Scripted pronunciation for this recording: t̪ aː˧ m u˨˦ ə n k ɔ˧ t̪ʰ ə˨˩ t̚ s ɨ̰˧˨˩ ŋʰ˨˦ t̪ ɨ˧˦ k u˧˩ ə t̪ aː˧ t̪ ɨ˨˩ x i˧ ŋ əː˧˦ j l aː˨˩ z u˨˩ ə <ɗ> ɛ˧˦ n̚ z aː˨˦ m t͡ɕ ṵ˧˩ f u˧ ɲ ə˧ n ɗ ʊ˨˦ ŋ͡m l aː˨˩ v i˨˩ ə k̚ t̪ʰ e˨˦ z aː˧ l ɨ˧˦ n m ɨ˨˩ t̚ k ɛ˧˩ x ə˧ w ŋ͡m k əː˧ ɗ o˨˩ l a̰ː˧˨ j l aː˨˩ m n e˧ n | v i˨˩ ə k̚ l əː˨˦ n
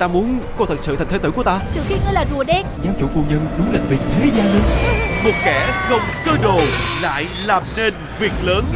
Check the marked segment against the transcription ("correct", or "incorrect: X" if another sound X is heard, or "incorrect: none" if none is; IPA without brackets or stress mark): correct